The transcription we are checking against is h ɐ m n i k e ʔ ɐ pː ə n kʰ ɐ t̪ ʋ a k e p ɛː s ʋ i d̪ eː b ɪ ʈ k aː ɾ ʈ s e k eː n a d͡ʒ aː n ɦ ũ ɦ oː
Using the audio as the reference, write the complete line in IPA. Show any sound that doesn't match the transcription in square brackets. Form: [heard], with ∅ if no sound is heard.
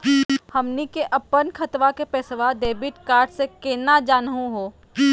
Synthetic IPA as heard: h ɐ m n i k e ʔ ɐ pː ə n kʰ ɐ t̪ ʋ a k e p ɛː s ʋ [a] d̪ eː b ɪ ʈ k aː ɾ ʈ s e k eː n a d͡ʒ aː n ɦ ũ ɦ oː